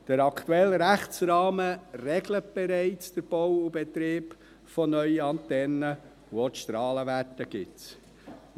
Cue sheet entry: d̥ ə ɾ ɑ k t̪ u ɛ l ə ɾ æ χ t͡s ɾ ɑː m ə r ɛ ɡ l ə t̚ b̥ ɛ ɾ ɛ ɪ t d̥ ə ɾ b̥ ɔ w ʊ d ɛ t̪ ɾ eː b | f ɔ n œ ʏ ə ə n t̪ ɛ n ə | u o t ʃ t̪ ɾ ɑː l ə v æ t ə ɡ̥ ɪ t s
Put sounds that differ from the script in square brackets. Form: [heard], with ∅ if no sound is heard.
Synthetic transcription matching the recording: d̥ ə ɾ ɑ k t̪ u ɛ l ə ɾ æ χ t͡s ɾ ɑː m ə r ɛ ɡ l ə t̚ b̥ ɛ ɾ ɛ ɪ [t͡s] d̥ ə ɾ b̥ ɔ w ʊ [b] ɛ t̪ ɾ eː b | f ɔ n œ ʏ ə [ɑ] n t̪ ɛ n ə | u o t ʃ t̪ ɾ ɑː l ə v æ t ə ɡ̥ ɪ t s